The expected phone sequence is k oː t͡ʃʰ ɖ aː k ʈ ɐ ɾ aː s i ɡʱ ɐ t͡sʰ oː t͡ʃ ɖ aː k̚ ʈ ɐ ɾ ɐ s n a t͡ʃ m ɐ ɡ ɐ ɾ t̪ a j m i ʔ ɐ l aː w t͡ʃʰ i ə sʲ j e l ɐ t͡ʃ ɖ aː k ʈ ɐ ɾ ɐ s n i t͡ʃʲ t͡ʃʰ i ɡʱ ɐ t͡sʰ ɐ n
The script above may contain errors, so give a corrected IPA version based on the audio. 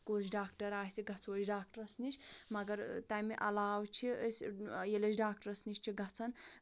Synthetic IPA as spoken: k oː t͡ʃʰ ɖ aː k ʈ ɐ ɾ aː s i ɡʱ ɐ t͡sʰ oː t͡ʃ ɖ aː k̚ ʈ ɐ ɾ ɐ s n i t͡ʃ m ɐ ɡ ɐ ɾ t̪ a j m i ʔ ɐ l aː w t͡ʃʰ i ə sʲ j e l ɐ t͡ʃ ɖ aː k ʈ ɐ ɾ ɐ s n i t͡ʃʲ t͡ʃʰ i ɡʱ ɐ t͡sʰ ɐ n